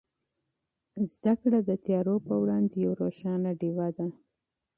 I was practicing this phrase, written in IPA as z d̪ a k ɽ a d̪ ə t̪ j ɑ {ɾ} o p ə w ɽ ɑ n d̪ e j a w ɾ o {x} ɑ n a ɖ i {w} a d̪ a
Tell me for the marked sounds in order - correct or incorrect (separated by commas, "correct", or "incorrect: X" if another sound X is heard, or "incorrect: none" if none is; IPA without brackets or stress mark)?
correct, incorrect: ʃ, correct